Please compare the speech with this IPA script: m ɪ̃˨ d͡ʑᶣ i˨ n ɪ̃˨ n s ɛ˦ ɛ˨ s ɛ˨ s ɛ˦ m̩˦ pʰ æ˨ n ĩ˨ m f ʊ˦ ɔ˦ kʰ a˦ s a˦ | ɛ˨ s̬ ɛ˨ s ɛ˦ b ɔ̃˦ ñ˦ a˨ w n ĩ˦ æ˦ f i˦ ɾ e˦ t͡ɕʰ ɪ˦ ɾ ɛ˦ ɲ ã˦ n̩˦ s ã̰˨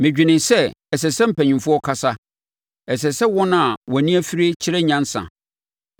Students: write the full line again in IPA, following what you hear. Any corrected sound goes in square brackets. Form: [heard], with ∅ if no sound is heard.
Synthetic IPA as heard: m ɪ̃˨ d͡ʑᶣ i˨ n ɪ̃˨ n s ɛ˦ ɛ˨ s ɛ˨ s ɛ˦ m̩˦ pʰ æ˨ [ɲ] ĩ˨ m f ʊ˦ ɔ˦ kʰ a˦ s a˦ | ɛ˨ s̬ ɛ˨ s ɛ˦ [w] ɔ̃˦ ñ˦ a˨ w n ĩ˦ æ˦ f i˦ ɾ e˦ t͡ɕʰ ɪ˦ ɾ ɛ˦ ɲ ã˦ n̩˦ s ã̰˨